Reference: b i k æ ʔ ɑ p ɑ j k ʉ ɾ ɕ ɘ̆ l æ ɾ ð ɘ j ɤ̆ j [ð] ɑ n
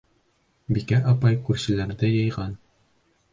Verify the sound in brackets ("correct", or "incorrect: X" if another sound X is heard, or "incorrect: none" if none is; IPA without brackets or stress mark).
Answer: incorrect: ʁ